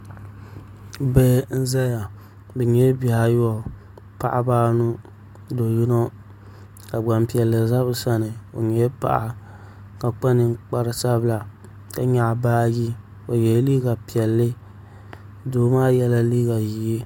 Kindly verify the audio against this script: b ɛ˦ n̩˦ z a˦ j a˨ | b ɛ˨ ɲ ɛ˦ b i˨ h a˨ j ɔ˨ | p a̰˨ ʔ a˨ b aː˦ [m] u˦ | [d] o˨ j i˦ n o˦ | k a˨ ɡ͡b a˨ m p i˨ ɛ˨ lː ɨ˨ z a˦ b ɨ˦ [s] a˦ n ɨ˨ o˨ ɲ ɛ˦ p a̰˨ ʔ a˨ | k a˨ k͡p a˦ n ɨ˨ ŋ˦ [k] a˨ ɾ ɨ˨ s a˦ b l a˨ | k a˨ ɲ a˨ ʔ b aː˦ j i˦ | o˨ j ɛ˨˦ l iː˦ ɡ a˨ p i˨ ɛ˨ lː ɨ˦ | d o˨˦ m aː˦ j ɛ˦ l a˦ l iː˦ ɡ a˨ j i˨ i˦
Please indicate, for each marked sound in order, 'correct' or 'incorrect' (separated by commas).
incorrect, correct, correct, incorrect